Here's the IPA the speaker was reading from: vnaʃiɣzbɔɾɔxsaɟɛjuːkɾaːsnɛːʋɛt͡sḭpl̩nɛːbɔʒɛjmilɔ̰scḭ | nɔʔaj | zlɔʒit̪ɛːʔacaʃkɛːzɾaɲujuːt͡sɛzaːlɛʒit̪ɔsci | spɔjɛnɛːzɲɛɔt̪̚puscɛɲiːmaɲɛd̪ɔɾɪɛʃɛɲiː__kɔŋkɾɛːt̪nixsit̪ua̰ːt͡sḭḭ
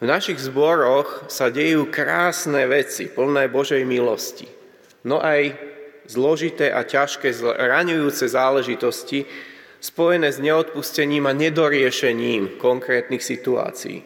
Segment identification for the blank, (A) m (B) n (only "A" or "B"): A